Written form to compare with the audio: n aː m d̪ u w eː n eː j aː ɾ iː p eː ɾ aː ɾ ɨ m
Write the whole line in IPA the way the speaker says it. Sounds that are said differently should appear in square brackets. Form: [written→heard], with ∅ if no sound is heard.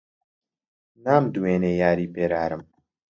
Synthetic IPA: n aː m d̪ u w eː n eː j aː ɾ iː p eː ɾ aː ɾ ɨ m